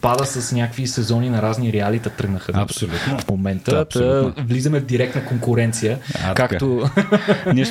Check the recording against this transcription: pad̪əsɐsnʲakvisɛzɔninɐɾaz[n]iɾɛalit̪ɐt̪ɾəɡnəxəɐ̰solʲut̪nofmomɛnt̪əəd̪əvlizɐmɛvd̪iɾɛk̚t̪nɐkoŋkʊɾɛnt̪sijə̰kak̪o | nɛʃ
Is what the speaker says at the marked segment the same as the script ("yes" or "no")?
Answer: yes